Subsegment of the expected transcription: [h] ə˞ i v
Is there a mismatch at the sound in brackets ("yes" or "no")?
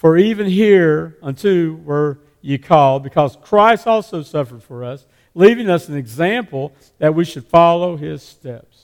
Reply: yes